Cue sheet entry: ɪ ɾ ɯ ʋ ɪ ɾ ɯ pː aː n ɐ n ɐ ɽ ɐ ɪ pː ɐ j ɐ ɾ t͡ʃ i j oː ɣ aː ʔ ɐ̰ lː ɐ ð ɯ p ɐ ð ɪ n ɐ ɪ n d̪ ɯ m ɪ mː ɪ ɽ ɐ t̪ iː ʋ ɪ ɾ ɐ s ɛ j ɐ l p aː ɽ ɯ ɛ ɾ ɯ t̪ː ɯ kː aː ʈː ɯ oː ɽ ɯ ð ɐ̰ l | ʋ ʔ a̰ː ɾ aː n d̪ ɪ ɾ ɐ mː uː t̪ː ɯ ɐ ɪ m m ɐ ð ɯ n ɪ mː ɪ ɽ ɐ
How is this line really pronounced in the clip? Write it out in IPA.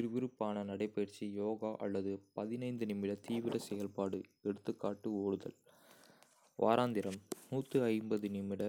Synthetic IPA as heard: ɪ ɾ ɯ ʋ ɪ ɾ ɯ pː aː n ɐ n ɐ ɽ ɐ ɪ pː ɐ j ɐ ɾ t͡ʃ i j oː ɣ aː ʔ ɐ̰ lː ɐ ð ɯ p ɐ ð ɪ n ɐ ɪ n d̪ ɯ n ɪ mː ɪ ɽ ɐ t̪ iː ʋ ɪ ɾ ɐ s ɛ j ɐ l p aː ɽ ɯ ɛ ɽ ɯ t̪ː ɯ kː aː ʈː ɯ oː ɽ ɯ ð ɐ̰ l | ʋ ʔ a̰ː ɾ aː n d̪ ɪ ɾ ɐ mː uː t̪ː ɯ ɐ ɪ m b ɐ ð ɯ n ɪ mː ɪ ɽ ɐ